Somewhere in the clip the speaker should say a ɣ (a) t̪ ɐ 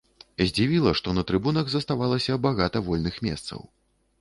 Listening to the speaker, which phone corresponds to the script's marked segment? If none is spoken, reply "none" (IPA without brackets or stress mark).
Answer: a